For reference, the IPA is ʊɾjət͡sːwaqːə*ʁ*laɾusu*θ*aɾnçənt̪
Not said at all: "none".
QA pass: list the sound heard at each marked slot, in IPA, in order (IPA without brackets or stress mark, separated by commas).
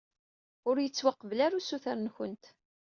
v, θ